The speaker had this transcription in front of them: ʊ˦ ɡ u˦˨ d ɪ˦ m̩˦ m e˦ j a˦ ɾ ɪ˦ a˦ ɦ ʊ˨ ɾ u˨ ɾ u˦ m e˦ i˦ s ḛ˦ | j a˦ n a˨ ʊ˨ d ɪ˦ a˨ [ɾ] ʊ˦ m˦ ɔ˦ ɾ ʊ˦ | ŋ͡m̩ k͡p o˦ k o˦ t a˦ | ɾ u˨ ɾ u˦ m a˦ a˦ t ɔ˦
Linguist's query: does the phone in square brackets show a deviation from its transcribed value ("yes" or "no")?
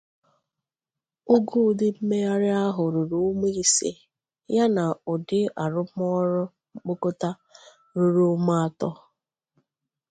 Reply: no